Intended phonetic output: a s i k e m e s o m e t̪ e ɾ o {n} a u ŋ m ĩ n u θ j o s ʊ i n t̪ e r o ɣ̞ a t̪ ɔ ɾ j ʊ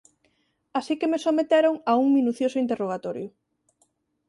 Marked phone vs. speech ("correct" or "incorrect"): incorrect